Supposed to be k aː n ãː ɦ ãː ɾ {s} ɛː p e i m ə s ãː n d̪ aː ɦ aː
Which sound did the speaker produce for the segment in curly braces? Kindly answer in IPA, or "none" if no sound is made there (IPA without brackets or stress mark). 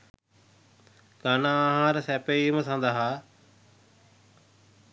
s